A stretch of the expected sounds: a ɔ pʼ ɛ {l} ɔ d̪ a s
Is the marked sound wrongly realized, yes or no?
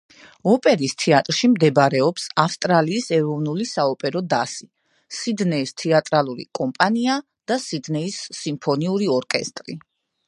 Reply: yes